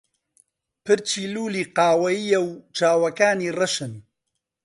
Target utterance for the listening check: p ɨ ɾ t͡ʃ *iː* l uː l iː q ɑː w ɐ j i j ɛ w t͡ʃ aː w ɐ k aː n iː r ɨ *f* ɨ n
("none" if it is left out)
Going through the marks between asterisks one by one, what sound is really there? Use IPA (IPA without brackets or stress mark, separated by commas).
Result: iː, ʃ